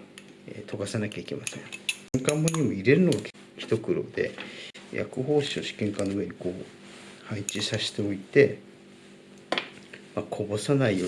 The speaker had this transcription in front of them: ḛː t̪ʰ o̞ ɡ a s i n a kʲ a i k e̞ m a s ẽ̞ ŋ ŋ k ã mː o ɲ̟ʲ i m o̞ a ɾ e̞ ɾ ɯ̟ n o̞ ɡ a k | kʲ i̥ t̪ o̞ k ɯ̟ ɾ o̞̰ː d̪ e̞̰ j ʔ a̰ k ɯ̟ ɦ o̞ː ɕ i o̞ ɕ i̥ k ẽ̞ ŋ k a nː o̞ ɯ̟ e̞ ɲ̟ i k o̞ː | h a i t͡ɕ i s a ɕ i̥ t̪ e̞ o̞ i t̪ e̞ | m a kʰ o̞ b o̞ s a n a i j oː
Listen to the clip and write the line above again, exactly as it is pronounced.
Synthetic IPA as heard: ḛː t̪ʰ o̞ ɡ a s a n a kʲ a i k e̞ m a s ẽ̞ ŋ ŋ k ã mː o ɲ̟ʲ i m o̞ i ɾ e̞ ɾ ɯ̟ n o̞ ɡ a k | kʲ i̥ t̪ o̞ k ɯ̟ ɾ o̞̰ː d̪ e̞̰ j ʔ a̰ k ɯ̟ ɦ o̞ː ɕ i o̞ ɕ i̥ k ẽ̞ ŋ k a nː o̞ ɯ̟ e̞ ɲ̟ i k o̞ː | h a i t͡ɕ i s a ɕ i̥ t̪ e̞ o̞ i t̪ e̞ | m a kʰ o̞ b o̞ s a n a i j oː